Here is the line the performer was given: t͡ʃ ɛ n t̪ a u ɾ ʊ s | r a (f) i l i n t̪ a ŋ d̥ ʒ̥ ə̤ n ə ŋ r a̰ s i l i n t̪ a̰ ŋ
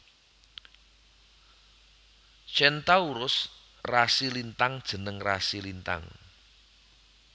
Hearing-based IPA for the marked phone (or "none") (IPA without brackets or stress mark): s